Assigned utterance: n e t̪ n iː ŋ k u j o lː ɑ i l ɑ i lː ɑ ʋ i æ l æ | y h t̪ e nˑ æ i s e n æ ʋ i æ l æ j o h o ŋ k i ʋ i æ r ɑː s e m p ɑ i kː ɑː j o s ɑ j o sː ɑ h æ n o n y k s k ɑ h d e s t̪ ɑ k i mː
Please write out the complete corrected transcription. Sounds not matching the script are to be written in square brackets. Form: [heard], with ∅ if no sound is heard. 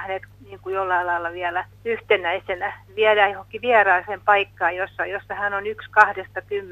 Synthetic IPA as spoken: n e t̪ n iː ŋ k u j o lː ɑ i l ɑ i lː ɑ ʋ i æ l æ | y h t̪ e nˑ æ i s e n æ ʋ i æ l æ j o h o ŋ k i ʋ i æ r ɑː s e m p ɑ i kː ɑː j o [sː] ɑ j o sː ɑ h æ n o n y k s k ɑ h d e s t̪ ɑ k [y] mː